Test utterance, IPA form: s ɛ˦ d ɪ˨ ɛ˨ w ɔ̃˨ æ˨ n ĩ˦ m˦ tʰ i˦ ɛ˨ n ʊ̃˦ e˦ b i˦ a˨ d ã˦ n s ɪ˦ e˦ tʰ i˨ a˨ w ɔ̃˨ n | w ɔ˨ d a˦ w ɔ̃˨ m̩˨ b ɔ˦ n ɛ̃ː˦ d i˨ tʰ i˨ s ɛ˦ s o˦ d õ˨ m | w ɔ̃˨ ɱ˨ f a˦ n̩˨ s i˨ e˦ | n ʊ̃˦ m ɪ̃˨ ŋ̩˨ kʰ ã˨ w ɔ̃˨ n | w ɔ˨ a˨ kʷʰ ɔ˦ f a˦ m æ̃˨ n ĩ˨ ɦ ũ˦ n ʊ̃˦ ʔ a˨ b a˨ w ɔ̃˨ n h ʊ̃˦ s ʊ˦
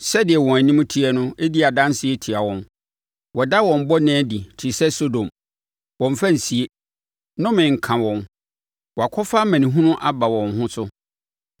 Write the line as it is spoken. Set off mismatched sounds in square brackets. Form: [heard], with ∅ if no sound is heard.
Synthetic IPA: s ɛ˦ d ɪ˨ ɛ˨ w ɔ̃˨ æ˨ n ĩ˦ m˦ tʰ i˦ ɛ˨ n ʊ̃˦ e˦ [d] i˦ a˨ d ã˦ n s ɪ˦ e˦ tʰ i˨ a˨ w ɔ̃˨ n | w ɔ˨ d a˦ w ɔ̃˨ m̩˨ b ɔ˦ n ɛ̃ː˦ d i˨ tʰ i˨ s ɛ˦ s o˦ d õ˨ m | w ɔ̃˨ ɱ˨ f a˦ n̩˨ s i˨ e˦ | n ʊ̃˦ m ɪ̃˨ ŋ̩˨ kʰ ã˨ w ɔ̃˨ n | w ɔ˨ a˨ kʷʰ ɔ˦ f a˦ m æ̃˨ n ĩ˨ ɦ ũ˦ n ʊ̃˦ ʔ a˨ b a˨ w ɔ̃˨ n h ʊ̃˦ s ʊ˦